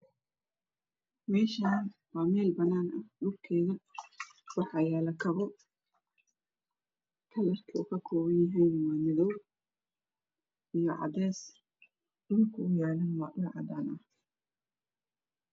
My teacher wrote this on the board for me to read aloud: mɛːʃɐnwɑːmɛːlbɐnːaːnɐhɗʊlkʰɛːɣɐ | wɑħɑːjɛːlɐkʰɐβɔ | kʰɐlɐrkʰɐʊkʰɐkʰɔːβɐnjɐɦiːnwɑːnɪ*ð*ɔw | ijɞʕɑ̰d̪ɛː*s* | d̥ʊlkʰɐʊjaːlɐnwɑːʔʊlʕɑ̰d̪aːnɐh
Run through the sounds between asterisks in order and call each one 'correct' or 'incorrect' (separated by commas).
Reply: correct, correct